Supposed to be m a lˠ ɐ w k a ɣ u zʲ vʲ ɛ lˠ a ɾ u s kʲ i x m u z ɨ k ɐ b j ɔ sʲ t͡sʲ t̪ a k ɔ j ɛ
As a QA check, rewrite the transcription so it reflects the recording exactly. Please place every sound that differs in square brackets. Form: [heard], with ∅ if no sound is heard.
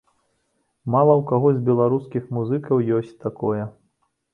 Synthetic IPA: m a lˠ ɐ w k a ɣ [ɔ] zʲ [bʲ] ɛ lˠ a ɾ u s kʲ i x m u z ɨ k ɐ [w] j ɔ sʲ t͡sʲ t̪ a k ɔ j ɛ